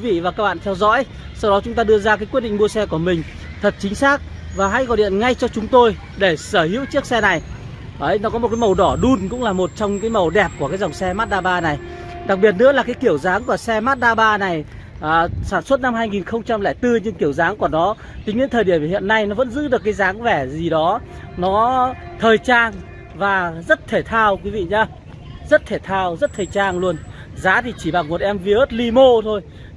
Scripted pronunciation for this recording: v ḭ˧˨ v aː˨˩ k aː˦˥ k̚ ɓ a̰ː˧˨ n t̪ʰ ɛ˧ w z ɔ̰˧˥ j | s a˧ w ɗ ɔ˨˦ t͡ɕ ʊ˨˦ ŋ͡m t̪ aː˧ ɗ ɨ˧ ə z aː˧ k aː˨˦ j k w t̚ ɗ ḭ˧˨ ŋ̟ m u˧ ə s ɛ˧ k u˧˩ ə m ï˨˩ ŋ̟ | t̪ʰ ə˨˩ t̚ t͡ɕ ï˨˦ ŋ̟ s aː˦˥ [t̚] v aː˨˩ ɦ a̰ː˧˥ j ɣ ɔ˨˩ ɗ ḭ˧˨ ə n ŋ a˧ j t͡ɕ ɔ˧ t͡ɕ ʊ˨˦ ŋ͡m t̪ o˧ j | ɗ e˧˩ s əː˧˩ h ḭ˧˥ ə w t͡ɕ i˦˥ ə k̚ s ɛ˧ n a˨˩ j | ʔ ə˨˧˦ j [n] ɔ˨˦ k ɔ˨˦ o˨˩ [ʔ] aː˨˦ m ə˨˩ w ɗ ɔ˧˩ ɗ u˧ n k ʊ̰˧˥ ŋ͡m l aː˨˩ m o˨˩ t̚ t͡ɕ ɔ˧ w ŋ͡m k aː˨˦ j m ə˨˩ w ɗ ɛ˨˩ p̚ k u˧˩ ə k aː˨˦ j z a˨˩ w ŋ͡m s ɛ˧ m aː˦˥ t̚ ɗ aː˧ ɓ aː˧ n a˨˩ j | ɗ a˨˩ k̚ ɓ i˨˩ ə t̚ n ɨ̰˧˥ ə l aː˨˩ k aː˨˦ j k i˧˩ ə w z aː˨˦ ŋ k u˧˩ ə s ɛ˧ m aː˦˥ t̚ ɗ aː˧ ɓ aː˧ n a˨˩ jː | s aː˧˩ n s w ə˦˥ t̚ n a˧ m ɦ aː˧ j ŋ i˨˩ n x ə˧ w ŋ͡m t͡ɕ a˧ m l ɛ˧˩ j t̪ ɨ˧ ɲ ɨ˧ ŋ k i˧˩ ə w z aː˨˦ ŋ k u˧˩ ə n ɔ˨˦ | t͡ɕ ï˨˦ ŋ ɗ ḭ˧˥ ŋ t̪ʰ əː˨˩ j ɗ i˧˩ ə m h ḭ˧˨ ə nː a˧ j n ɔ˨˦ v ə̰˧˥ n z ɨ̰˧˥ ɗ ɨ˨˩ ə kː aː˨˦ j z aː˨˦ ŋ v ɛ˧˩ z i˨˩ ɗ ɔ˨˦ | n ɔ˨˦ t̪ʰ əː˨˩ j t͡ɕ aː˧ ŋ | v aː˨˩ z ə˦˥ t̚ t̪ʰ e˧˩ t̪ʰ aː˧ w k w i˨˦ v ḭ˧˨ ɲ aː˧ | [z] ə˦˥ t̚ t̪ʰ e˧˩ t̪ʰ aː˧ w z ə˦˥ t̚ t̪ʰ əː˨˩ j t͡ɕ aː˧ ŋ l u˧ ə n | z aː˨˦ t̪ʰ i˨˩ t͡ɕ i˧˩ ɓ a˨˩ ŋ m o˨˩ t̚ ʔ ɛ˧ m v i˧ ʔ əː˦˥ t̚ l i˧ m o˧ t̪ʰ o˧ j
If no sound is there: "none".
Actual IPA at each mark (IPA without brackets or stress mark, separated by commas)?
k̚, n, k, z